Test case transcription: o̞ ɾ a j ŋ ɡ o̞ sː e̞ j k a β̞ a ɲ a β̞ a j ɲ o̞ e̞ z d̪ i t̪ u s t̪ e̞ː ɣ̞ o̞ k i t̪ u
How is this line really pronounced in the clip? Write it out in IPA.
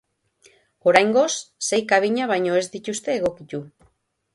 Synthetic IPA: o̞ ɾ a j ŋ ɡ o̞ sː e̞ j k a β̞ i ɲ a β̞ a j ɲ o̞ e̞ z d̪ i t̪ u s t̪ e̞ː ɣ̞ o̞ k i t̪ u